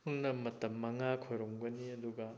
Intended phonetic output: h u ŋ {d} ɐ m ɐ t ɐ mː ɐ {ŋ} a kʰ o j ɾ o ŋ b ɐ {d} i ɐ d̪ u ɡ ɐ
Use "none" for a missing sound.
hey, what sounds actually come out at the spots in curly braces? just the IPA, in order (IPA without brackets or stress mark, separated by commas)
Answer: n, ŋ, n